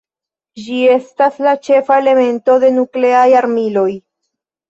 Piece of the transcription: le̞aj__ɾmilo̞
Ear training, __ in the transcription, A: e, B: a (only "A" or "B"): B